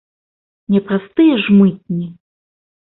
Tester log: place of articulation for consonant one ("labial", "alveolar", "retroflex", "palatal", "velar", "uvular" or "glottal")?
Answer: alveolar